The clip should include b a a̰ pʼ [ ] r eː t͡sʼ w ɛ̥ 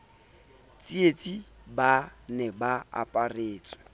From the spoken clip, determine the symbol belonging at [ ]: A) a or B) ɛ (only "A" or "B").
A